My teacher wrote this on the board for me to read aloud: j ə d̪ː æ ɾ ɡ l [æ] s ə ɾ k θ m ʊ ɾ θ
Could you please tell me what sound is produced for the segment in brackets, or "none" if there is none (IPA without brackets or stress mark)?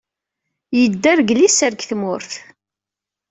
i